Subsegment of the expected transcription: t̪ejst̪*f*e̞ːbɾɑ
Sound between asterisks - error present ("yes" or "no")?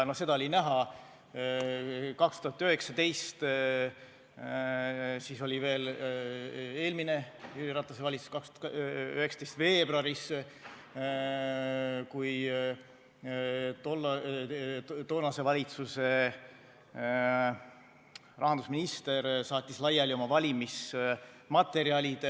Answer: yes